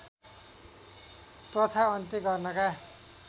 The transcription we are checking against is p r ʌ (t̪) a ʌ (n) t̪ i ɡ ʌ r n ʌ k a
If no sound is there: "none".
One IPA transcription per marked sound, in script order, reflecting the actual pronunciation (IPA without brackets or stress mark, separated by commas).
t̪ʰ, n